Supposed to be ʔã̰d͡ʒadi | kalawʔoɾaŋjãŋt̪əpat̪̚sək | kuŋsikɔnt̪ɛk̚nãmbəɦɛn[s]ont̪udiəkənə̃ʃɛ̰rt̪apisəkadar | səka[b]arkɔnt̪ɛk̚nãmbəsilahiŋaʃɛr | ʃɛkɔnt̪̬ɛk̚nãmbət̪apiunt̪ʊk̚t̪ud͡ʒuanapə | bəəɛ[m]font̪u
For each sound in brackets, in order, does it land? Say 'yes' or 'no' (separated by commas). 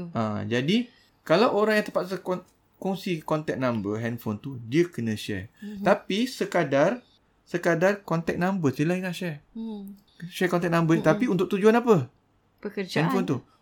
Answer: no, no, no